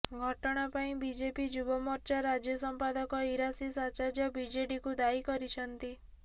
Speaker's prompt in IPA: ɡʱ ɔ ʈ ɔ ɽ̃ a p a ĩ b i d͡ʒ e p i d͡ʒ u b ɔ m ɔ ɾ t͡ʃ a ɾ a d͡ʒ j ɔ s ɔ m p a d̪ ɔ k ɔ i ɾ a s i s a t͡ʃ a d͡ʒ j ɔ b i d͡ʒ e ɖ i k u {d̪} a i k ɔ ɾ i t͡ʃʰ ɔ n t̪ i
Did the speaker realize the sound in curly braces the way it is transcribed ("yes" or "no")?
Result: yes